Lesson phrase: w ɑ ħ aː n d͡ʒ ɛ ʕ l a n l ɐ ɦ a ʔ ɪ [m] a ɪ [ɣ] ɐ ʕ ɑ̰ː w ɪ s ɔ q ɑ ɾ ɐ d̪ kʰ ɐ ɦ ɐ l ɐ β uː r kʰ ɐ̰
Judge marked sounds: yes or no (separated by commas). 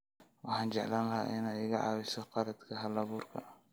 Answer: no, yes